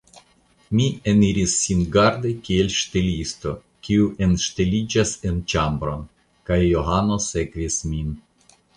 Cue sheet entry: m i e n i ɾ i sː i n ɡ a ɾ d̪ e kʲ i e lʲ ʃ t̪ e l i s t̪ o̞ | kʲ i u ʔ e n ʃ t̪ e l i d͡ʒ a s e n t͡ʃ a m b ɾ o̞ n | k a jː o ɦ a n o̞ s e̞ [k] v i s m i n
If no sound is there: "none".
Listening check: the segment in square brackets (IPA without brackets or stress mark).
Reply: k